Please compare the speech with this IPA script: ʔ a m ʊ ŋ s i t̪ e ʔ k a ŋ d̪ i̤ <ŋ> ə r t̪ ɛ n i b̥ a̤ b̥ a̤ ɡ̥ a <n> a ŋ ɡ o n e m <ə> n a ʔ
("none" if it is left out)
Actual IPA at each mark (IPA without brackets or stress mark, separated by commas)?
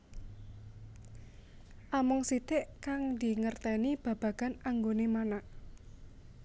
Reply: ŋ, n, a